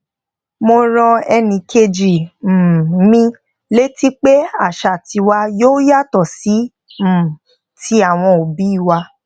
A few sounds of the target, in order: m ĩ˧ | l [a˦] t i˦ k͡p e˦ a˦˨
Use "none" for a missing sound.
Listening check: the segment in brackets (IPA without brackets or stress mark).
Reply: e˦